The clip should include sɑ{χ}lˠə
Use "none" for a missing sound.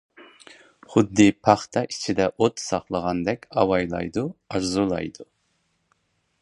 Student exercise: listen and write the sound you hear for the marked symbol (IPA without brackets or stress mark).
χ